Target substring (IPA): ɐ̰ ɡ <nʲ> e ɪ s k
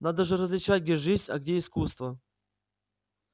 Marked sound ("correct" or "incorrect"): incorrect